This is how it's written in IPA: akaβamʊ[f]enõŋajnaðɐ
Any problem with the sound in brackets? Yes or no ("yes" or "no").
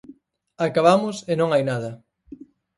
yes